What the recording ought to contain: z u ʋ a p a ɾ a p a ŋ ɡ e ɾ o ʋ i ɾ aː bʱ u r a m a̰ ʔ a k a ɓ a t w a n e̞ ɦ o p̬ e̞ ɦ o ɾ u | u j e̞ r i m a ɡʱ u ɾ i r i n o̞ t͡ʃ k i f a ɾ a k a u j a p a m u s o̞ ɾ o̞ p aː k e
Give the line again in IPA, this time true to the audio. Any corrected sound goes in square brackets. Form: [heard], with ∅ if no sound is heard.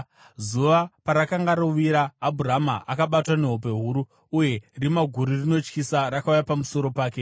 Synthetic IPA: z u ʋ a p a ɾ a [k] a ŋ ɡ [a] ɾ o ʋ i ɾ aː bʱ u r a m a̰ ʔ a k a ɓ a t w a n e̞ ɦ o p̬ e̞ ɦ [u] ɾ u | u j e̞ r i m a ɡʱ u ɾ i r i n o̞ t͡ʃ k i [s] a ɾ a k a u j a p a m u s o̞ ɾ o̞ p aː k e